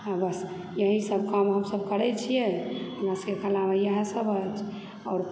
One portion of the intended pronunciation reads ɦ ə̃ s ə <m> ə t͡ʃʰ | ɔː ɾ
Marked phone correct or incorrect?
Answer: incorrect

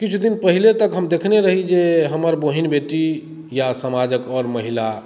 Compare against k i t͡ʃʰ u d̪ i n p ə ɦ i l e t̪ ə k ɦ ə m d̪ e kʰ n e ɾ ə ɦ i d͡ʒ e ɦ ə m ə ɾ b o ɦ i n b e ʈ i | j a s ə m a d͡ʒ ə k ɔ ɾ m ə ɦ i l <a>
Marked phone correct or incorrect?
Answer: correct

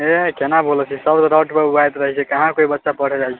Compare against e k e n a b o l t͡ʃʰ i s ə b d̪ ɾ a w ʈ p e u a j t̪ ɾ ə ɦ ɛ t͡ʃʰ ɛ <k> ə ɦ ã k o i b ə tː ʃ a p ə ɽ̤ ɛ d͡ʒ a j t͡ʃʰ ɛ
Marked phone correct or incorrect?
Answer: correct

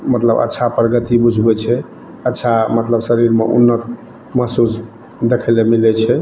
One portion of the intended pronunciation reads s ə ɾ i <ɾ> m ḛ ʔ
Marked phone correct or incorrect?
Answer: correct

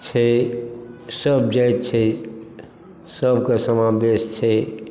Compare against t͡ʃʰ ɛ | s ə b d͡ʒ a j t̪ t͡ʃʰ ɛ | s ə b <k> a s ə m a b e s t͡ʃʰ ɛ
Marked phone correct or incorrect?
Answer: correct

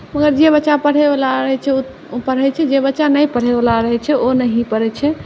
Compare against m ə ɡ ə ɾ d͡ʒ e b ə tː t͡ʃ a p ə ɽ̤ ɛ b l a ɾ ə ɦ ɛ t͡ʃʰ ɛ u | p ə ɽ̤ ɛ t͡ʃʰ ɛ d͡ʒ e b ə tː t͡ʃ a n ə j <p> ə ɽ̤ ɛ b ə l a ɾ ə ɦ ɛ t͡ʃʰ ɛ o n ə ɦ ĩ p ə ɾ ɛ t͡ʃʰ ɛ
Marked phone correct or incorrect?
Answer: correct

